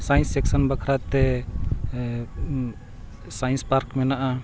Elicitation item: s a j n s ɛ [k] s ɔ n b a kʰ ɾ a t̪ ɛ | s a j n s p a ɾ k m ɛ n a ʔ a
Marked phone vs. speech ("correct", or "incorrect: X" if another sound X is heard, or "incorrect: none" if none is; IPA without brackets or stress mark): correct